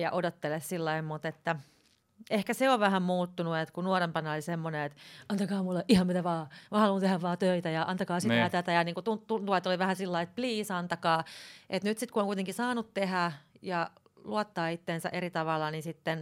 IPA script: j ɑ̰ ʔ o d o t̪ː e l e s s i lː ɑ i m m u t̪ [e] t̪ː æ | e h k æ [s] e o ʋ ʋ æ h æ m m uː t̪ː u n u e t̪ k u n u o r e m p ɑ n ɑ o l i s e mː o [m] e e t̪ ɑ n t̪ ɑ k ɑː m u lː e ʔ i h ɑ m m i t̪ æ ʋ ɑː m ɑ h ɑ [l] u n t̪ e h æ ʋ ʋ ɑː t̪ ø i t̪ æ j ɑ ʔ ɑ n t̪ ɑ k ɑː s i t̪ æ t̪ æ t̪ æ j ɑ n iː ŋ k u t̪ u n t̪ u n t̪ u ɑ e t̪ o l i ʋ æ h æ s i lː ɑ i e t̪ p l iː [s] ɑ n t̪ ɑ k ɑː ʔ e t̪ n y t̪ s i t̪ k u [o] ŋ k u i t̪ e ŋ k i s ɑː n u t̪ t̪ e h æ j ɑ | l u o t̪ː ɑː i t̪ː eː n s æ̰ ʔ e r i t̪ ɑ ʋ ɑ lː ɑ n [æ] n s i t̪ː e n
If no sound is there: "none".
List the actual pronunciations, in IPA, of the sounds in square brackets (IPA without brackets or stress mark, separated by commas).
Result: e, s, n, l, s, o, i